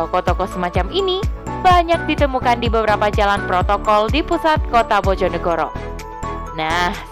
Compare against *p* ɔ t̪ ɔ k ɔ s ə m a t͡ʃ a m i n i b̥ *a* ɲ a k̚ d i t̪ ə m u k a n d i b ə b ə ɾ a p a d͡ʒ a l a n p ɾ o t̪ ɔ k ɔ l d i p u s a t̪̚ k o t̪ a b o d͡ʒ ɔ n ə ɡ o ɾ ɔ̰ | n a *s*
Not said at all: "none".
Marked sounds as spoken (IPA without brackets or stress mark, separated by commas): k, a, h